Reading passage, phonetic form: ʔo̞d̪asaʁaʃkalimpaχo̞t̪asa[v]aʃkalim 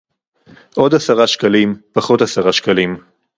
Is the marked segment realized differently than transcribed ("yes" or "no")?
yes